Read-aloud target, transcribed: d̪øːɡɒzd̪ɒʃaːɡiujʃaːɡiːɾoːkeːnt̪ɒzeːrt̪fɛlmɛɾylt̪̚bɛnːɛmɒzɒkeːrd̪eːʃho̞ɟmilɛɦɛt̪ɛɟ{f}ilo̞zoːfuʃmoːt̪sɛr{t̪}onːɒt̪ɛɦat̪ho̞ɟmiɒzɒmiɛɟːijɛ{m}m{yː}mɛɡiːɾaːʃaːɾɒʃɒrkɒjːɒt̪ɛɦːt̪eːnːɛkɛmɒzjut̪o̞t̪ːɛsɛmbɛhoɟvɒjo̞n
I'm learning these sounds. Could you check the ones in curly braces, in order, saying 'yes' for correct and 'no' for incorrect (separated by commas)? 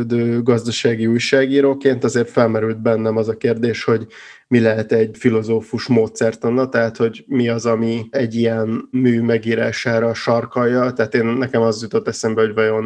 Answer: yes, yes, no, yes